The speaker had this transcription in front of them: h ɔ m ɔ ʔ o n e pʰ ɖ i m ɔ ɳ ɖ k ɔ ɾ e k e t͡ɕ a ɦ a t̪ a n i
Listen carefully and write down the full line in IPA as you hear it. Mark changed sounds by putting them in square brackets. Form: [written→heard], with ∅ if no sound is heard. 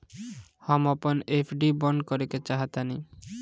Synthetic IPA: h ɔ m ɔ [ʔ→p] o n e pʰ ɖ i [m→b] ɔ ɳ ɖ k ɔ ɾ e k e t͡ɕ a ɦ a t̪ a n i